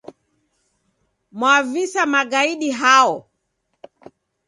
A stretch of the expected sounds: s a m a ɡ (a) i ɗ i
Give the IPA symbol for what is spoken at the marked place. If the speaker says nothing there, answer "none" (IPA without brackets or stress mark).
a